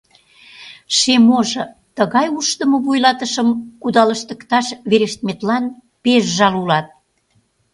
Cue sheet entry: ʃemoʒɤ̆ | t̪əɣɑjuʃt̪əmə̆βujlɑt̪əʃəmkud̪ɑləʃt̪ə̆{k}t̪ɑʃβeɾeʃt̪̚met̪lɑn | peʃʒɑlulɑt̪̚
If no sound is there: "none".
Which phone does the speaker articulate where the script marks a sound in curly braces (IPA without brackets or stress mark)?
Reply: k